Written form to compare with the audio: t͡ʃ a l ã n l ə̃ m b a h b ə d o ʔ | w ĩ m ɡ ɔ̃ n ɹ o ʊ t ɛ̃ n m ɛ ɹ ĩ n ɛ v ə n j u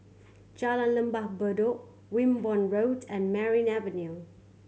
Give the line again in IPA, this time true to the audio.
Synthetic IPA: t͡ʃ a l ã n l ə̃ m b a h b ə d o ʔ | w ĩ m b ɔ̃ n ɹ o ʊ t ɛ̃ n m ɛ ɹ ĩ n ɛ v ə n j u

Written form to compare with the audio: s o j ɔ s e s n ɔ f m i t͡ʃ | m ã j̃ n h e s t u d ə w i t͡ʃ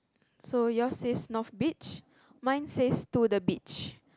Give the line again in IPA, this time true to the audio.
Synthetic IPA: s o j ɔ s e s n ɔ f b i t͡ʃ | m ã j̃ n s e s t u d ə b i t͡ʃ

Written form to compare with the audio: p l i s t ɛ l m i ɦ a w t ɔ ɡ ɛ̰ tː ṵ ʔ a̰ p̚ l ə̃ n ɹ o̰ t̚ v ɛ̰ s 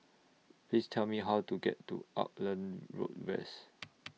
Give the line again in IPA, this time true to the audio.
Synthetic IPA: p l i s tʰ ɛ l m i ɦ a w t u ɡ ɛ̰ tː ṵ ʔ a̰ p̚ l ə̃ n ɹ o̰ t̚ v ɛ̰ s

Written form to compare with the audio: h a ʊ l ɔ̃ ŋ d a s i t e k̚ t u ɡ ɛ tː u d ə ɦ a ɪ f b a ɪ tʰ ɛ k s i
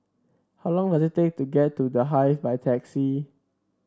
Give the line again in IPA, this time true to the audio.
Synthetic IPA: h a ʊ l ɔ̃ ŋ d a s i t e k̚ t u ɡ ɛ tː u d ə ɦ a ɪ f b a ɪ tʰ ɛ k s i

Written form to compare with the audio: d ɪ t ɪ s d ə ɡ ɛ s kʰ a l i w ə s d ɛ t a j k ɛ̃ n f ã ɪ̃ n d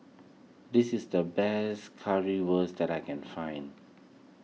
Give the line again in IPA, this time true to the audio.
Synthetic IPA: d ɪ s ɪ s d ə b ɛ s kʰ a ɹ i w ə s d ɛ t a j k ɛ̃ n f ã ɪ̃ n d

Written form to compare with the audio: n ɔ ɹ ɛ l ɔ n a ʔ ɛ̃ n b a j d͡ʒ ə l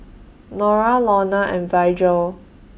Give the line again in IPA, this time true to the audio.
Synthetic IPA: n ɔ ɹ a l ɔ n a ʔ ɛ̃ n v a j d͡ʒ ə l

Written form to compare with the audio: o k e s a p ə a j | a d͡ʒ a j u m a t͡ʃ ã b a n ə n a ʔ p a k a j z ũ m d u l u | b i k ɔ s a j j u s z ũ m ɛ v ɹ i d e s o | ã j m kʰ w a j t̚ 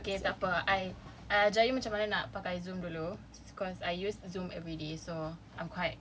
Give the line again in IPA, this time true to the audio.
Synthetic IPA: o k e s a p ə a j | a d͡ʒ a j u m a t͡ʃ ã m a n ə n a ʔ p a k a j z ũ m d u l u | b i k ɔ s a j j u s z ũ m ɛ v ɹ i d e s o | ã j m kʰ w a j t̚

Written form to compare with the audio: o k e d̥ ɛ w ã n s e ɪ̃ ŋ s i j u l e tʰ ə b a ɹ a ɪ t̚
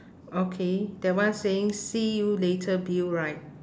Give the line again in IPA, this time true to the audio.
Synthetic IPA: o kʰ e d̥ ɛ w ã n s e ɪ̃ ŋ s i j u l e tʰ ə b i ɹ a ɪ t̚

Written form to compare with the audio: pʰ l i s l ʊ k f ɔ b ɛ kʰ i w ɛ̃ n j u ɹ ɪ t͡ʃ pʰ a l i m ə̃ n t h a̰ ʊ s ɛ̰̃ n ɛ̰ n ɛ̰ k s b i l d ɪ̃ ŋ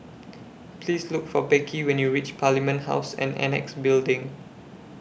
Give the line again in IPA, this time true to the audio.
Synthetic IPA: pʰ l i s l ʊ k f ɔ b ɛ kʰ i w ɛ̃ n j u ɹ i t͡ʃ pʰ a l i m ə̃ n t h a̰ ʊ s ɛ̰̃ n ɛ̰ n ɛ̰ k s b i l d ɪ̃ ŋ

